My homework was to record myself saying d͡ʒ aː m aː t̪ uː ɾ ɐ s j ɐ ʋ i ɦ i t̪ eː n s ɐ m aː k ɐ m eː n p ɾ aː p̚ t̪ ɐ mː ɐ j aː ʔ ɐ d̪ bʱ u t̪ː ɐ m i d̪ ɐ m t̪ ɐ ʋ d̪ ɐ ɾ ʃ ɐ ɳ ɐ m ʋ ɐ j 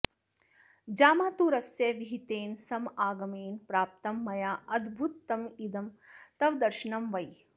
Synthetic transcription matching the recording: d͡ʒ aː m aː t̪ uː ɾ ɐ s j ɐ ʋ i ɦ i t̪ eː n s ɐ m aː ɡ ɐ m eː n p ɾ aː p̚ t̪ ɐ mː ɐ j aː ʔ ɐ d̪ bʱ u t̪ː ɐ m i d̪ ɐ m t̪ ɐ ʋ d̪ ɐ ɾ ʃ ɐ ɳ ɐ m ʋ ɐ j

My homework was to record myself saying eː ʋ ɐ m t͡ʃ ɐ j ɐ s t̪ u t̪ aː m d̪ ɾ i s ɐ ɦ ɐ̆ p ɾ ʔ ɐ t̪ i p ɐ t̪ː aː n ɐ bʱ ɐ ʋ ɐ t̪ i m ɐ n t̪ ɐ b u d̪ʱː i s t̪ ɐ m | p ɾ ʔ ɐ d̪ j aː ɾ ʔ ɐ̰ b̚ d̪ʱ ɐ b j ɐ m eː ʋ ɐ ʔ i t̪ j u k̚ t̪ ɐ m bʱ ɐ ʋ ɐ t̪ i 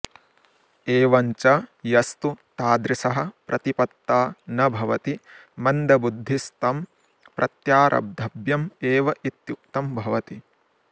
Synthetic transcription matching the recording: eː ʋ ɐ ɲ t͡ʃ ɐ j ɐ s t̪ u t̪ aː d̪ ɾ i s ɐ ɦ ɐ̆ p ɾ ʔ ɐ t̪ i p ɐ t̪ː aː n ɐ bʱ ɐ ʋ ɐ t̪ i m ɐ n d̪ ɐ b u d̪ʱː i s t̪ ɐ m | p ɾ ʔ ɐ t̪ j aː ɾ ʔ ɐ̰ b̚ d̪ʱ ɐ b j ɐ m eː ʋ ɐ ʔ i t̪ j u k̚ t̪ ɐ m bʱ ɐ ʋ ɐ t̪ i

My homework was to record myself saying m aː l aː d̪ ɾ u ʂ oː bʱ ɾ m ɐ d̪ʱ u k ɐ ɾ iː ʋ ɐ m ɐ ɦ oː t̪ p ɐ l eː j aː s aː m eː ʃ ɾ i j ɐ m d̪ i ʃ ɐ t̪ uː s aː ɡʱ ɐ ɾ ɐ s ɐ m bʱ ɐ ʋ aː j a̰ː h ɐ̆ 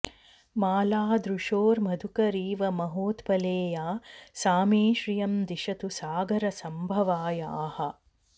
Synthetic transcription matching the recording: m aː l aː d̪ ɾ u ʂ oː ɾ m ɐ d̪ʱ u k ɐ ɾ iː ʋ ɐ m ɐ ɦ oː t̪ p ɐ l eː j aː s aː m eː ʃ ɾ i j ɐ m d̪ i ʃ ɐ t̪ u s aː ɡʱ ɐ ɾ ɐ s ɐ m bʱ ɐ ʋ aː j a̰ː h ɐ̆

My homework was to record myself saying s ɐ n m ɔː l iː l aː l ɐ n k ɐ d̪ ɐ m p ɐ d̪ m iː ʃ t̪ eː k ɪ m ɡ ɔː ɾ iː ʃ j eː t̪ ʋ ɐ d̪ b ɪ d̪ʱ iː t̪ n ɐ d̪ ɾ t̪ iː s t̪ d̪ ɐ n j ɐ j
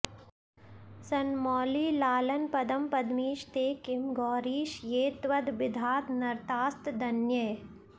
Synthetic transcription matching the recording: s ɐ n m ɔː l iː l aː l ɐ n p ɐ d̪ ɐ m p ɐ d̪ m iː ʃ t̪ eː k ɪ m ɡ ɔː ɾ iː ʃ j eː t̪ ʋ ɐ d̪ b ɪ d̪ʱ aː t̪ n ɐ ɾ t̪ aː s t̪ d̪ ɐ n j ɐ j

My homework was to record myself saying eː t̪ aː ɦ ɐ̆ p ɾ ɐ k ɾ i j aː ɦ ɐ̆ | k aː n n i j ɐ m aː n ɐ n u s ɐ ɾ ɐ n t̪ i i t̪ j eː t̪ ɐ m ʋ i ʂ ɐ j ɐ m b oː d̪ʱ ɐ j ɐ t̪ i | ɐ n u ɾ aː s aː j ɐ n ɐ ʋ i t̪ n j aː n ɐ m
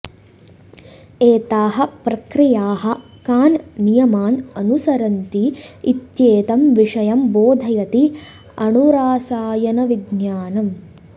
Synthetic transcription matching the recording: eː t̪ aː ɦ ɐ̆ p ɾ ɐ k ɾ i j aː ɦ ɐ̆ | k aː n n i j ɐ m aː n ɐ n u s ɐ ɾ ɐ n t̪ i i t̪ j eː t̪ ɐ m ʋ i ʂ ɐ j ɐ m b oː d̪ʱ ɐ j ɐ t̪ i | ɐ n u ɾ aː s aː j ɐ n ɐ ʋ i d̪ n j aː n ɐ m

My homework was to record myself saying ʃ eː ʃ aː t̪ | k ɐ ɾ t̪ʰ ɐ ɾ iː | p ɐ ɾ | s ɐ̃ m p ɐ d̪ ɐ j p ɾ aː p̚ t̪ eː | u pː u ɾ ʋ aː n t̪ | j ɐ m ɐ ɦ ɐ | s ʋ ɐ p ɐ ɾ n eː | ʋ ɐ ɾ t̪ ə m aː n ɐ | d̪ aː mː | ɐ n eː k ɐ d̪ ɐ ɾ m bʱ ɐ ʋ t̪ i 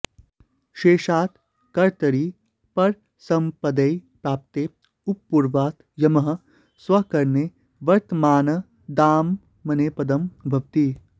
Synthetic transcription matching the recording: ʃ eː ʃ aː t̪ | k ɐ ɾ t̪ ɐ ɾ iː | p ɐ ɾ | s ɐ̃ m p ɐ d̪ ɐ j p ɾ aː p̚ t̪ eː | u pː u ɾ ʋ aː t̪ | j ɐ m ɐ ɦ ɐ | s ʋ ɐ k ɐ ɾ n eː | ʋ ɐ ɾ t̪ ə m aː n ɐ | d̪ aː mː | ɐ n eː p ɐ d̪ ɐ m bʱ ɐ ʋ t̪ i

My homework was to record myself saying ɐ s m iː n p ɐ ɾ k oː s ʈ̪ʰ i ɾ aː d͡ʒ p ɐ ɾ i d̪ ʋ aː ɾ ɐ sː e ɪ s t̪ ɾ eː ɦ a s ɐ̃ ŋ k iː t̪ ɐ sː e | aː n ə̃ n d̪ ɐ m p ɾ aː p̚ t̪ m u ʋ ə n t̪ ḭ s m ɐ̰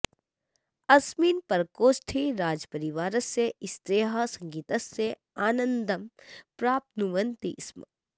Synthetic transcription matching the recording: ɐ s m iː n p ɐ ɾ k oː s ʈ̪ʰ i ɾ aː d͡ʒ p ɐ ɾ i ʋ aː ɾ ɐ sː e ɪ s t̪ ɾ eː ɦ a s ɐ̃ ŋ ɡ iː t̪ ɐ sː e | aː n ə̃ n d̪ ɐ m p ɾ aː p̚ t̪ n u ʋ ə n t̪ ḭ s m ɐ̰

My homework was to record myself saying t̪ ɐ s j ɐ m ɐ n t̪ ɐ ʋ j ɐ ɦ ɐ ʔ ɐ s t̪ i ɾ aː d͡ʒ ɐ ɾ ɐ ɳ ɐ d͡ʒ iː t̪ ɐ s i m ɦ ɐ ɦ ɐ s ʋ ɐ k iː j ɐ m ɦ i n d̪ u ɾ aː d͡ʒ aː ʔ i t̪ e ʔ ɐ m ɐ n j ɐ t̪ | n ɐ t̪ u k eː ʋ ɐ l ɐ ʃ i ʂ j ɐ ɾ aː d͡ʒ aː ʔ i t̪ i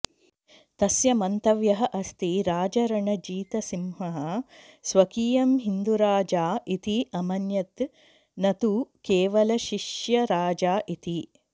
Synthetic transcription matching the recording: t̪ ɐ s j ɐ m ɐ n t̪ ɐ ʋ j ɐ ɦ ɐ ʔ ɐ s t̪ i ɾ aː d͡ʒ ɐ ɾ ɐ ɳ ɐ d͡ʒ iː t̪ ɐ s i m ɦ ɐ ɦ ɐ s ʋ ɐ k iː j ɐ m ɦ i n d̪ u ɾ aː d͡ʒ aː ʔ i t̪ i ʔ ɐ m ɐ n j ɐ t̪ | n ɐ t̪ u k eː ʋ ɐ l ɐ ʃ i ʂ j ɐ ɾ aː d͡ʒ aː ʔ i t̪ i

